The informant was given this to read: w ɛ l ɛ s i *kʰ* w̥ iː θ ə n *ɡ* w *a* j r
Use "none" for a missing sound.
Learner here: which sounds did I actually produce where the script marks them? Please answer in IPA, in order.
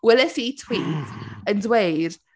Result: tʰ, d, e

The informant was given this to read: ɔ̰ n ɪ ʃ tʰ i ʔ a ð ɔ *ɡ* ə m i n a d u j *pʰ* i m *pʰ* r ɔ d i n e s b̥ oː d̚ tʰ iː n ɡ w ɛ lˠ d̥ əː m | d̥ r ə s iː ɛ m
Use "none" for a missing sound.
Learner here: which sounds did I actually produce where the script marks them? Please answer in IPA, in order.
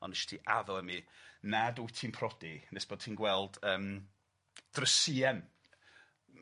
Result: none, tʰ, pʰ

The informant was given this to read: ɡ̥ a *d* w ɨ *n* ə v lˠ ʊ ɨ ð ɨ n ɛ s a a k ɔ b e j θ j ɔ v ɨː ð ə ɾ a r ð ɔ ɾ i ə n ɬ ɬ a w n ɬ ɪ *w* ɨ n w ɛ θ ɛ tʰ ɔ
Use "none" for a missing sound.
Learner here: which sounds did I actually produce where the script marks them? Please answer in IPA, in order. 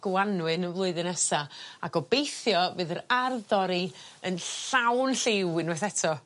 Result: n, n, w

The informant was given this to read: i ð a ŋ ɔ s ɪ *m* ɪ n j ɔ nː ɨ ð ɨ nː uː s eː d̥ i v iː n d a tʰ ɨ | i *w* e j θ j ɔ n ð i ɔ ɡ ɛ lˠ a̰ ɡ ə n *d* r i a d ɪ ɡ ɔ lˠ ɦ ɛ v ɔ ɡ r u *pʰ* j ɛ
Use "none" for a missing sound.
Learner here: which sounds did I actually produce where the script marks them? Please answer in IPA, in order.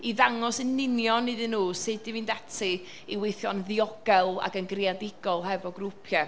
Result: n, w, ɡ, pʰ

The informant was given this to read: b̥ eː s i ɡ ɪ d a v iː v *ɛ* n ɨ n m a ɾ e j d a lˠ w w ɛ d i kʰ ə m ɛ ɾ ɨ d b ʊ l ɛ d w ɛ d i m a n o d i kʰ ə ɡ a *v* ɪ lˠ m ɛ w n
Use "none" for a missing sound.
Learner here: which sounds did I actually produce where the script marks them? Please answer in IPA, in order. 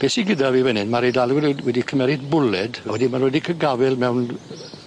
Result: ɛ, v

